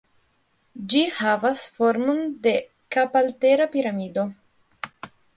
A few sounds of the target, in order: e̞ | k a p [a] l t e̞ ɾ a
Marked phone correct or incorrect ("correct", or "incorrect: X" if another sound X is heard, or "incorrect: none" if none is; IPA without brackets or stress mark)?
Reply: correct